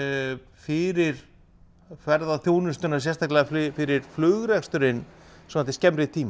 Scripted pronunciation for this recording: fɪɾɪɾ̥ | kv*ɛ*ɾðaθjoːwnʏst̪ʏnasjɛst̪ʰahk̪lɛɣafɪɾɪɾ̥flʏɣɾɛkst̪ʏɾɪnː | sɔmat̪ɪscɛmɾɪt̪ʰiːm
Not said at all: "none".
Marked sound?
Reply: ɛ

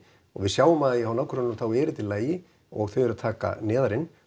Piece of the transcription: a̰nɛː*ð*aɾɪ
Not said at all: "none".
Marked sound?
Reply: ð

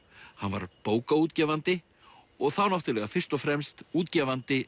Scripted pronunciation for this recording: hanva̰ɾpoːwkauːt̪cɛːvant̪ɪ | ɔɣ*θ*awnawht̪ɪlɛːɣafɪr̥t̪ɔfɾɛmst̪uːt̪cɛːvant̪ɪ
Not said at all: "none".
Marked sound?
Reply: θ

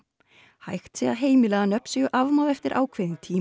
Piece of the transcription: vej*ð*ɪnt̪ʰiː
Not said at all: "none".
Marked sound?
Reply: ð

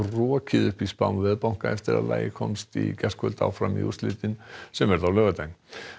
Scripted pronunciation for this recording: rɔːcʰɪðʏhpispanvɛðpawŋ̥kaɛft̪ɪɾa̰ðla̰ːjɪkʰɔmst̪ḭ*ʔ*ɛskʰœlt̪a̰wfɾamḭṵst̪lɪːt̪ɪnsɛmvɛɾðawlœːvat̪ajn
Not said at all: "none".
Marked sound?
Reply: c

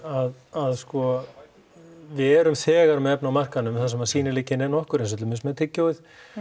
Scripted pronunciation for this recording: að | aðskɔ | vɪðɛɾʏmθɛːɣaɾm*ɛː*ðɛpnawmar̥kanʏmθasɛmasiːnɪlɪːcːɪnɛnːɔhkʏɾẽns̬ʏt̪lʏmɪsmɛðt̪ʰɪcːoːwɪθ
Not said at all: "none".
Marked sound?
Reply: ɛ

